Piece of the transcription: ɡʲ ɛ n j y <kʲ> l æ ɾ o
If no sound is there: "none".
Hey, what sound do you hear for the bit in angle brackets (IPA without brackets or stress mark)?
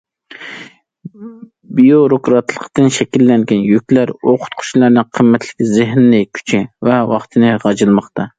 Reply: kʲ